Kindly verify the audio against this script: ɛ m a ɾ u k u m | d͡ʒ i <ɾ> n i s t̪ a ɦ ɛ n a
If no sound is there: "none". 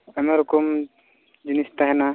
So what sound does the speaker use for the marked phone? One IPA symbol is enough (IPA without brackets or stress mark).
none